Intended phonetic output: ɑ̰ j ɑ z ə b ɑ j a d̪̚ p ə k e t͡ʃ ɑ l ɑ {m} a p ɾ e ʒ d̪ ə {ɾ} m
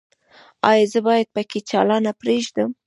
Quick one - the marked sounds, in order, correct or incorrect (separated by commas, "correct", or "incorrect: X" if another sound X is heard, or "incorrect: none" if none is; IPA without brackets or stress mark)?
incorrect: n, incorrect: none